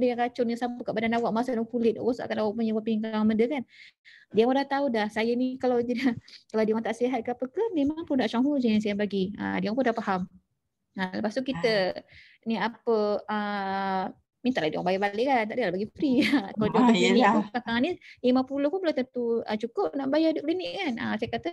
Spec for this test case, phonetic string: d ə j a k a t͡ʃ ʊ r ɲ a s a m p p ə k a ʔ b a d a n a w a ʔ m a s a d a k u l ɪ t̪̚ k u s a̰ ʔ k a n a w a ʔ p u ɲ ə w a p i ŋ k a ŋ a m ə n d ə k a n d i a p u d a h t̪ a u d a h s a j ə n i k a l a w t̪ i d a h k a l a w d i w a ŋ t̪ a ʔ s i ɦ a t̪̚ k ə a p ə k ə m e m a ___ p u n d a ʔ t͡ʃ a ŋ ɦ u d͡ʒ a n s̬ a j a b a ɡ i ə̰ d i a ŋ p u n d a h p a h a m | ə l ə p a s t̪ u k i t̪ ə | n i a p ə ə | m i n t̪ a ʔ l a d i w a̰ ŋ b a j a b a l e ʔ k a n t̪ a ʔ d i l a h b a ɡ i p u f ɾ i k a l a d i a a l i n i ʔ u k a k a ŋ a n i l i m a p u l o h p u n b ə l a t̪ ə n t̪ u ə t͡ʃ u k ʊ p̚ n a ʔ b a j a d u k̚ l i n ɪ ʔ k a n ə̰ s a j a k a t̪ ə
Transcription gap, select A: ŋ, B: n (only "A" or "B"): A